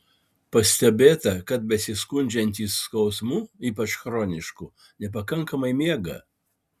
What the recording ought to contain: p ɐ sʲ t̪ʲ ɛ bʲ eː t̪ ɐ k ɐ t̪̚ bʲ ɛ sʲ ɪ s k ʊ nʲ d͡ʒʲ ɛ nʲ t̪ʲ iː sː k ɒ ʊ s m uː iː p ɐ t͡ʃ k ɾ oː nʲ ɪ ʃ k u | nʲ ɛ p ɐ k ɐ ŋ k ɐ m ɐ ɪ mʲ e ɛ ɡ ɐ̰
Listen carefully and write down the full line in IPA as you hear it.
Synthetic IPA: p ɐ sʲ t̪ʲ ɛ bʲ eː t̪ ɐ k ɐ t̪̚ bʲ ɛ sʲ ɪ s k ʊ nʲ d͡ʒʲ ɛ nʲ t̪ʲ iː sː k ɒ ʊ s m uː iː p ɐ t͡ʃ x ɾ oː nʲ ɪ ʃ k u | nʲ ɛ p ɐ k ɐ ŋ k ɐ m ɐ ɪ mʲ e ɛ ɡ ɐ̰